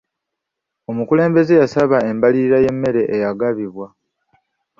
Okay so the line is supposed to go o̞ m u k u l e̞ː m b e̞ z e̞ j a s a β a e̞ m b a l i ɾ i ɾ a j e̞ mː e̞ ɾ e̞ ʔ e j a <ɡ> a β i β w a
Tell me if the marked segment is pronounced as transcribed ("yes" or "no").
yes